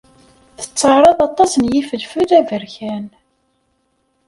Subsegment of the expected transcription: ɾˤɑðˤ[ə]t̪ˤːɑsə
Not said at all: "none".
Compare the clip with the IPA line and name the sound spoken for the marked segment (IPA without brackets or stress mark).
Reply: ɑ